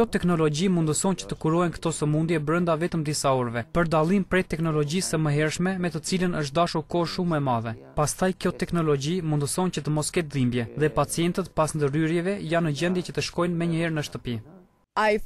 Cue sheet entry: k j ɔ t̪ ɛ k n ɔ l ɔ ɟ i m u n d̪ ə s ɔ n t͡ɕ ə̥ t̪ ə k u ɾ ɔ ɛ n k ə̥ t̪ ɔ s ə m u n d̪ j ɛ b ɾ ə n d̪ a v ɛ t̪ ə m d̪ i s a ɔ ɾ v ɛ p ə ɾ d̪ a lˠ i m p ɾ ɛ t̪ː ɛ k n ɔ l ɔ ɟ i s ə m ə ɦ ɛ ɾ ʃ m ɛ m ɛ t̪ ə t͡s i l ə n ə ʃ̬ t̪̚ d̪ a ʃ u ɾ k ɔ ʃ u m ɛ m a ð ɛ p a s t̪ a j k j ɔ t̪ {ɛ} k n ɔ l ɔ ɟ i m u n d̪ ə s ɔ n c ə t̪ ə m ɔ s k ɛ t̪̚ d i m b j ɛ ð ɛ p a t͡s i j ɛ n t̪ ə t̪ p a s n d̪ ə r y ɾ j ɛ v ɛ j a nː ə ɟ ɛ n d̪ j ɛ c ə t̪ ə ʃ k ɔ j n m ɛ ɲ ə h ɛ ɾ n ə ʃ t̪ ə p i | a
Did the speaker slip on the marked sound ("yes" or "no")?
no